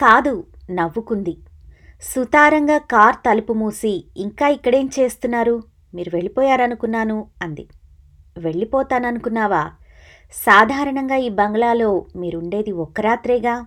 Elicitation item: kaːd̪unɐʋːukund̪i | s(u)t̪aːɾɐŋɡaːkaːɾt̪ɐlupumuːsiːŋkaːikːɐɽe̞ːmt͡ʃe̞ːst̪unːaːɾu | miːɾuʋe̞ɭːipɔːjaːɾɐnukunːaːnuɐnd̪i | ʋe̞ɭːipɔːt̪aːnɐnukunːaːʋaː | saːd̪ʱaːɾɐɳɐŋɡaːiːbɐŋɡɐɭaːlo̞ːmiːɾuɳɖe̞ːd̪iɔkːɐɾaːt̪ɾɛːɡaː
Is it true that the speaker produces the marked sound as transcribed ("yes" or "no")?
yes